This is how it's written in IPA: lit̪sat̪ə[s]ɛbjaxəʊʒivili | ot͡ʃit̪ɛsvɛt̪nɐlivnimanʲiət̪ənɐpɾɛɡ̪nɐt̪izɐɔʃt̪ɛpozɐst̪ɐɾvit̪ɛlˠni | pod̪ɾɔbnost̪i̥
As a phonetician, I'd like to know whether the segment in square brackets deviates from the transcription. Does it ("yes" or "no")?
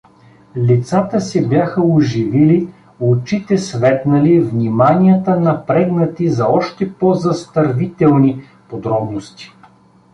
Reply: no